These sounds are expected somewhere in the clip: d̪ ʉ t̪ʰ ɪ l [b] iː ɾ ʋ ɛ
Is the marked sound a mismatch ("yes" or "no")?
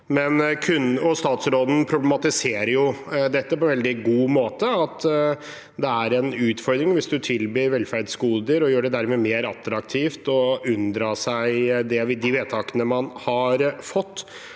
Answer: no